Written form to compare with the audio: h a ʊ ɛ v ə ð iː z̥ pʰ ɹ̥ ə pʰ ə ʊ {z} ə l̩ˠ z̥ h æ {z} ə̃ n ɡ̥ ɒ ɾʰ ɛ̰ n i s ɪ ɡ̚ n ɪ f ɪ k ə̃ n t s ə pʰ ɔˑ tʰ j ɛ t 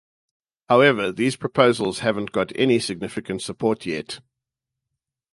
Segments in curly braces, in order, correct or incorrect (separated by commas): correct, incorrect